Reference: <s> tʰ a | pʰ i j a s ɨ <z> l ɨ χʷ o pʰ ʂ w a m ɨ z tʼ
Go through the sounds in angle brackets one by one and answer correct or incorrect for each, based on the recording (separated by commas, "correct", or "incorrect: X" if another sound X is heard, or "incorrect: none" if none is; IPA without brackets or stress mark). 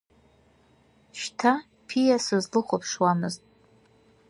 incorrect: ʃ, correct